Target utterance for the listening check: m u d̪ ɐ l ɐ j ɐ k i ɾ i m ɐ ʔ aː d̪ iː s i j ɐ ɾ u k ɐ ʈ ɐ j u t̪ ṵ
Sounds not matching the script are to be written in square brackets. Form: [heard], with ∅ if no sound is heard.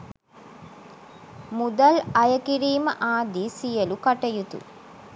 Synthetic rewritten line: m u d̪ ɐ l ɐ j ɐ k i ɾ [iː] m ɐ ʔ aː d̪ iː s i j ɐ [l] u k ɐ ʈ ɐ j u t̪ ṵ

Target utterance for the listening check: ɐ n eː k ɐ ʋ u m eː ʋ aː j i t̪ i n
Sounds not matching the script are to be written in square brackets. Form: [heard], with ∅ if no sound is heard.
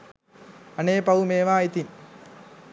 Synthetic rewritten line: ɐ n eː [p] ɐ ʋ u m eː ʋ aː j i t̪ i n

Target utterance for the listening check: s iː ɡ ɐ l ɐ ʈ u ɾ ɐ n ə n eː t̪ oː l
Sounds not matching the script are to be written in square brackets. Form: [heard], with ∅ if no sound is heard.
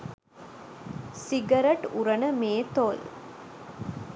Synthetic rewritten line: s [i] ɡ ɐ [ɾ] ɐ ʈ u ɾ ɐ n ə [m] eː t̪ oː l

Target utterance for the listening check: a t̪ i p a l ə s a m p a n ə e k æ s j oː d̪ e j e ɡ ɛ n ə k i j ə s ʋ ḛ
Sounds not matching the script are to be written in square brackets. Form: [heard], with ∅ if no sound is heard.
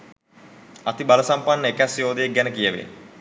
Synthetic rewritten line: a t̪ i [b] a l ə s a m p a [nː] ə e k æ s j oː d̪ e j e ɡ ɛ n ə k i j ə [∅] ʋ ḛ

